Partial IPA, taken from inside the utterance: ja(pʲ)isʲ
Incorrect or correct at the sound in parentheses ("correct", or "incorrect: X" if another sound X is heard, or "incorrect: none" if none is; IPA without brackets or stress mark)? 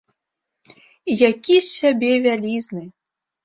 incorrect: kʲ